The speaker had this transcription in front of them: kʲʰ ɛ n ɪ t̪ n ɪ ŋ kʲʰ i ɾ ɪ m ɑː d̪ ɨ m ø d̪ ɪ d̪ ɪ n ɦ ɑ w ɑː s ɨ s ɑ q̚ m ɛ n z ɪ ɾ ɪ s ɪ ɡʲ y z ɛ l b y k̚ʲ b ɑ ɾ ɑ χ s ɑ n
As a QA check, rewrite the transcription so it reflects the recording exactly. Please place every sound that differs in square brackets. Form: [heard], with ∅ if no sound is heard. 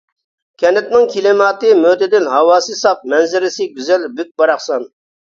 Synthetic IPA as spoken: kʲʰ ɛ n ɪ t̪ n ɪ ŋ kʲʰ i [l] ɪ m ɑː [t̪] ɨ m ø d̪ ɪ d̪ ɪ n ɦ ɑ w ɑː s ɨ s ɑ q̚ m ɛ n z ɪ ɾ ɪ s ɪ ɡʲ y z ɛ l b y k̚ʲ b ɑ ɾ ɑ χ s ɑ n